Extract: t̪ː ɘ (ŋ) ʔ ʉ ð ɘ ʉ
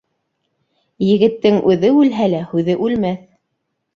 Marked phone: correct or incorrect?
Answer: correct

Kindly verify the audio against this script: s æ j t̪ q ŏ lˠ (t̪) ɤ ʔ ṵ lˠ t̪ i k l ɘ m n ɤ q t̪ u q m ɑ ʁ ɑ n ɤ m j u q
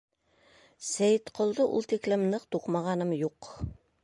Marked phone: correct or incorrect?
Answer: incorrect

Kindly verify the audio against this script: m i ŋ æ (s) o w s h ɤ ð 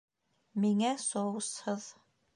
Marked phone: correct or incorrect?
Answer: correct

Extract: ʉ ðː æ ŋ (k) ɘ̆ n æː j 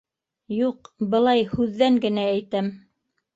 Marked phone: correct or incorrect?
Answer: incorrect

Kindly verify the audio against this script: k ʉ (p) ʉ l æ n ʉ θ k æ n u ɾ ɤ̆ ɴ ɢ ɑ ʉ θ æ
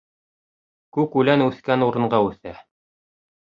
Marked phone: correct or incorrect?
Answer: incorrect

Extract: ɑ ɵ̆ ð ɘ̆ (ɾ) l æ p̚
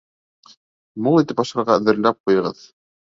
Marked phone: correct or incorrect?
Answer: correct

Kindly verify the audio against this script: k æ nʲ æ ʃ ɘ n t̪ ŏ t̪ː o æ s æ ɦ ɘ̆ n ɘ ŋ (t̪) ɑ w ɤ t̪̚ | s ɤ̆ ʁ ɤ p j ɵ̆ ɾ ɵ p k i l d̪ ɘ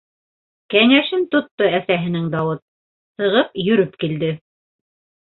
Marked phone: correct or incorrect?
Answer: incorrect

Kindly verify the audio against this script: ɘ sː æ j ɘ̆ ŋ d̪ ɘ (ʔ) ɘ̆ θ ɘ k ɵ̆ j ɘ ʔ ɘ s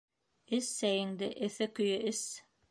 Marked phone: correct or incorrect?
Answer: correct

